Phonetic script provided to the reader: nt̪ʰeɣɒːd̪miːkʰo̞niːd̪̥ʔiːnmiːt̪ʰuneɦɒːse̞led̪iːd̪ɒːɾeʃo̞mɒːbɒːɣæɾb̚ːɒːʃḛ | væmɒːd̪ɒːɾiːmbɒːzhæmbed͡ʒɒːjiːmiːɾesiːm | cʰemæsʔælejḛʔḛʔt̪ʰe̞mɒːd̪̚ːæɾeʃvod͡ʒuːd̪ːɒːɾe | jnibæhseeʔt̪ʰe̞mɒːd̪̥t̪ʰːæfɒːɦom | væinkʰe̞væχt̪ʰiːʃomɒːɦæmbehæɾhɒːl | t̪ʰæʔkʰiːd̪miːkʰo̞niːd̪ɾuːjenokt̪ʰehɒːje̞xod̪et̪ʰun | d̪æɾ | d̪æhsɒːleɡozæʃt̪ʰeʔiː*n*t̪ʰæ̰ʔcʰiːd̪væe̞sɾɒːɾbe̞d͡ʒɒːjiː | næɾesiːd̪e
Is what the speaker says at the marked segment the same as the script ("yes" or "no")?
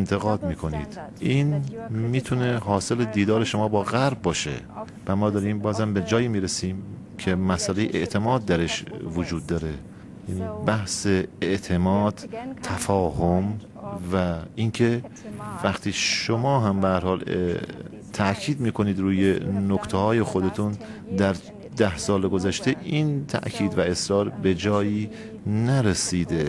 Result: yes